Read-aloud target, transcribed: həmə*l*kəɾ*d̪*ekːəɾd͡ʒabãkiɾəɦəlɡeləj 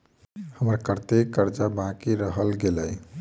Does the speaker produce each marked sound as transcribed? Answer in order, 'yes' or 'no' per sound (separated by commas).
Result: no, no